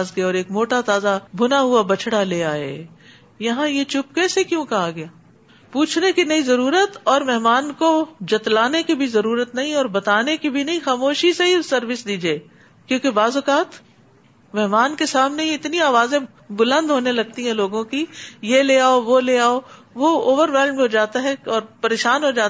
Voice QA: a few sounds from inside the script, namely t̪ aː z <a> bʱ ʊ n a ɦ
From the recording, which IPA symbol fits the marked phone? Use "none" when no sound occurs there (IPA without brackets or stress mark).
a